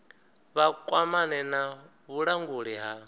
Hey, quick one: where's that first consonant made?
lips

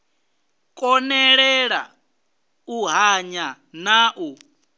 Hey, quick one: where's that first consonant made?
velum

